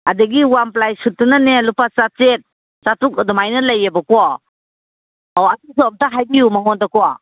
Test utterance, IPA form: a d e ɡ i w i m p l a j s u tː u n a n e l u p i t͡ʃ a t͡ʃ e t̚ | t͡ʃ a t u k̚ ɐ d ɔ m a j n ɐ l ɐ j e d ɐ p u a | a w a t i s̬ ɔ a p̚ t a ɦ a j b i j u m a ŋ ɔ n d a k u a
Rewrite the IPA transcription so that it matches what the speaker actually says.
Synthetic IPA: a d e ɡ i w a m p l a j s u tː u n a n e l u p a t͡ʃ a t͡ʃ e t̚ | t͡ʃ a t u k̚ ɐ d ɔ m a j n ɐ l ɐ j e b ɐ k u a | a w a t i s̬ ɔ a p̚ t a ɦ a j b i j u m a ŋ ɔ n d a k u a